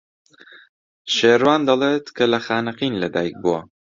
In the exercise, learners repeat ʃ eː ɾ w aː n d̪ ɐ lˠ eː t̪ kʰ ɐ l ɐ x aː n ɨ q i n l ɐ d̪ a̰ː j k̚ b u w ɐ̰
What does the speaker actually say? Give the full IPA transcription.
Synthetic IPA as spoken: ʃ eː ɾ w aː n d̪ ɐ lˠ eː t̪ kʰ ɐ l ɐ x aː n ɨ q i n l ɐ d̪ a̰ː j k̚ b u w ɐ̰